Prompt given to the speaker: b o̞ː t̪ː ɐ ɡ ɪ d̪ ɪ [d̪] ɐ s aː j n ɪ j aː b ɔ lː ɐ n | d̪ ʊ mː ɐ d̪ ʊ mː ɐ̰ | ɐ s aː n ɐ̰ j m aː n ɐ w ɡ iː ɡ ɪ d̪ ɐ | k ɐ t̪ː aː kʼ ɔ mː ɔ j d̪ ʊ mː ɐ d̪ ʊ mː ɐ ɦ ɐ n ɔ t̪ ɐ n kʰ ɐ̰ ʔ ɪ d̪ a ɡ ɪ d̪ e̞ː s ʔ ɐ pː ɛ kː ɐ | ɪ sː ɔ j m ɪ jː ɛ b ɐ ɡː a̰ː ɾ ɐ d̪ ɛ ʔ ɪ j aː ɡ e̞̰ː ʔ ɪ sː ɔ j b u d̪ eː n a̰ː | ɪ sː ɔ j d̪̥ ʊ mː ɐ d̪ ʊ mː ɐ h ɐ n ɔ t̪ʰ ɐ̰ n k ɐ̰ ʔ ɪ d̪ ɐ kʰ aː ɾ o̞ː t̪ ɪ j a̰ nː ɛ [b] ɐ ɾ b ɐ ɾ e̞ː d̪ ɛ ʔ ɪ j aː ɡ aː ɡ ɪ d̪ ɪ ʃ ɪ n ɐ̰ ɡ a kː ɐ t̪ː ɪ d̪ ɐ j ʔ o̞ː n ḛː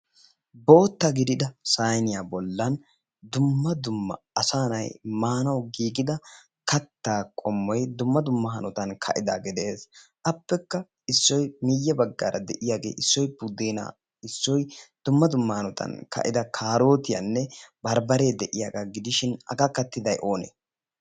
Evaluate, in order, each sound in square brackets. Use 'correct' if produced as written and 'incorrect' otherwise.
correct, correct

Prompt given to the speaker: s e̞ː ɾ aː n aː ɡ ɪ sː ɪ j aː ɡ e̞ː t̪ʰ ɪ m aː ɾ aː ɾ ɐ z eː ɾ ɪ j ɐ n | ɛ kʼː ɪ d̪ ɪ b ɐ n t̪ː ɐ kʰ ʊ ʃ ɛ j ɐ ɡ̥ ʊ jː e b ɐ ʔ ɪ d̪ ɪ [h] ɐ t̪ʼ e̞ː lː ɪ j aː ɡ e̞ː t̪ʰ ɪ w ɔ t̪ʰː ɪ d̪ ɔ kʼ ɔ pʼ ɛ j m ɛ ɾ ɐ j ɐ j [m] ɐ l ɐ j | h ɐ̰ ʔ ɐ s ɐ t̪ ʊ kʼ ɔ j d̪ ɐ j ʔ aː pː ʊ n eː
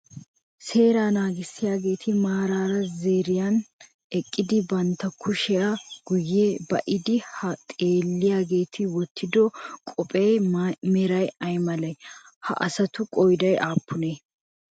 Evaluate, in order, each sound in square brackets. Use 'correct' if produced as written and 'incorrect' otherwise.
correct, correct

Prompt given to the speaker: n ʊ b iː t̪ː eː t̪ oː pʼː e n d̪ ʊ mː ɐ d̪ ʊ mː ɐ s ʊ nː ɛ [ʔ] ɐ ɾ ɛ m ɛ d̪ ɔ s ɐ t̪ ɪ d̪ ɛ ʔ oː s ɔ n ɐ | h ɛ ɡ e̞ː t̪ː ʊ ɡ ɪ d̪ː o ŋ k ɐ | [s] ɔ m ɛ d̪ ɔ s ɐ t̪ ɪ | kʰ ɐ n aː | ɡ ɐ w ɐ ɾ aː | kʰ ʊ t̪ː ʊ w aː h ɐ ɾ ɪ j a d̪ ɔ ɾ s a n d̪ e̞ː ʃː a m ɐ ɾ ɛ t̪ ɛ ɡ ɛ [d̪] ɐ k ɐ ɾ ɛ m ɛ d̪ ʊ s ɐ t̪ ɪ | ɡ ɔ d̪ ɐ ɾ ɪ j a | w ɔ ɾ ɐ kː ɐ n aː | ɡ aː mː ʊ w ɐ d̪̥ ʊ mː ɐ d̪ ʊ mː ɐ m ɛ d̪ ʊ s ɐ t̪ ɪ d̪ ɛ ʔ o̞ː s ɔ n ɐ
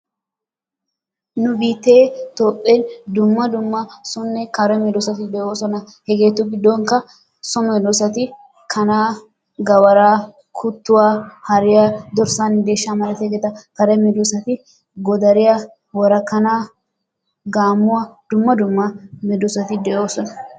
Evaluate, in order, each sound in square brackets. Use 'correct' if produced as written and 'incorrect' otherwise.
incorrect, correct, incorrect

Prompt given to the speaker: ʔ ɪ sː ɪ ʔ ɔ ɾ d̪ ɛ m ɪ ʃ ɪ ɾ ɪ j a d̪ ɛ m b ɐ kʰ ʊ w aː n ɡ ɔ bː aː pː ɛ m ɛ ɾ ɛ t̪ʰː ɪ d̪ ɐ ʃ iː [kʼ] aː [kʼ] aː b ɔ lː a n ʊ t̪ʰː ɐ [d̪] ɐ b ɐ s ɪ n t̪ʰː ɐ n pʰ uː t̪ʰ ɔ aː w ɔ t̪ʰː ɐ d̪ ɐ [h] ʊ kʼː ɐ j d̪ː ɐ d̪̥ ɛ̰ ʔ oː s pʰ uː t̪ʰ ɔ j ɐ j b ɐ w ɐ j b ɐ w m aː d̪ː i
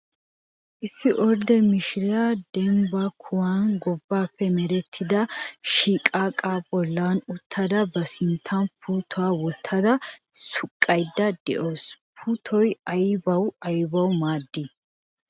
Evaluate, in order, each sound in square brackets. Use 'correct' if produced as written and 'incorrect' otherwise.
correct, correct, correct, incorrect

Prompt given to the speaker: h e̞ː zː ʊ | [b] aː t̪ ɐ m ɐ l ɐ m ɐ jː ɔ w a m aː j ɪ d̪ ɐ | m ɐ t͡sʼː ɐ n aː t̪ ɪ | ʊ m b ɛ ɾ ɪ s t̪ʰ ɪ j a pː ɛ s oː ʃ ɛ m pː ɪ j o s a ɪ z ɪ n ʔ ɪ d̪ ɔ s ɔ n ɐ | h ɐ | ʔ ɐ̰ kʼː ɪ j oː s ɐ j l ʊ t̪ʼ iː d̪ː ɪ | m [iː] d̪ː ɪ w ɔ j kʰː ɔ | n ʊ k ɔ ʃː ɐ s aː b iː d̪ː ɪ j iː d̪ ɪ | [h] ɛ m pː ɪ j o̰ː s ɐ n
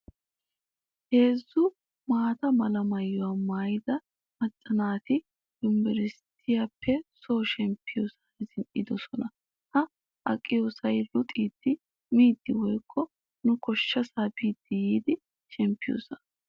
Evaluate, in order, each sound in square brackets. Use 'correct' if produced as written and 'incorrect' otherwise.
incorrect, correct, incorrect

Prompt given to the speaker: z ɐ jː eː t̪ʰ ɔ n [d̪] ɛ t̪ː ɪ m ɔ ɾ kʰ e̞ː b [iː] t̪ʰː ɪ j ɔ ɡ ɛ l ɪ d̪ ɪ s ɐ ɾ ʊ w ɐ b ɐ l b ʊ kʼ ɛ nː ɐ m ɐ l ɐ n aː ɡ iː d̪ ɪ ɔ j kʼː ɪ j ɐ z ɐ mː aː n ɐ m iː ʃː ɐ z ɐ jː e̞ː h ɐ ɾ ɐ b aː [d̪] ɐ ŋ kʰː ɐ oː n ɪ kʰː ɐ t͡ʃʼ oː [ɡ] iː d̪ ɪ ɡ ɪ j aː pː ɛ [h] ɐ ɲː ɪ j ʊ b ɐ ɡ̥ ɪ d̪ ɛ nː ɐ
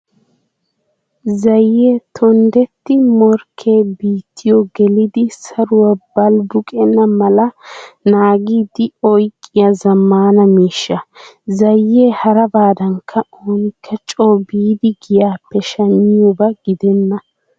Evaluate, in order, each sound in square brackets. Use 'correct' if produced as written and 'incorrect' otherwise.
correct, correct, correct, incorrect, incorrect

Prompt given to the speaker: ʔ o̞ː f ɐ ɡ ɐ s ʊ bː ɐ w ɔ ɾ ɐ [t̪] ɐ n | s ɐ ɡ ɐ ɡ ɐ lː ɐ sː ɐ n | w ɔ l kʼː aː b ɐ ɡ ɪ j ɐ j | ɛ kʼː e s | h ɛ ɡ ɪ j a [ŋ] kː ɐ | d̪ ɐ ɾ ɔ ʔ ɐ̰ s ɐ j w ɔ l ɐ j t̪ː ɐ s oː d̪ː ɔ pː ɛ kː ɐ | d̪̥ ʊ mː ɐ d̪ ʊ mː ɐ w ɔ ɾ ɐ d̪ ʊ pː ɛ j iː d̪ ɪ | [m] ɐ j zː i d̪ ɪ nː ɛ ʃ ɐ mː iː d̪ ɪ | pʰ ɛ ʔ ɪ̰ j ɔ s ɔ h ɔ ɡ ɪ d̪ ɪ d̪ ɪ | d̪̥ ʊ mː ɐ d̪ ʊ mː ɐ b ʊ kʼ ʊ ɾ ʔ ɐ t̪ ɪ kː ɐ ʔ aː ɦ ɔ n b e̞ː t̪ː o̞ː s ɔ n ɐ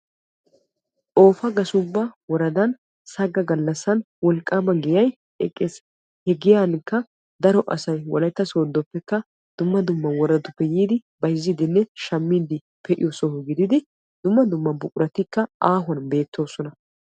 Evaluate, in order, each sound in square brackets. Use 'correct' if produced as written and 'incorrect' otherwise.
incorrect, incorrect, incorrect

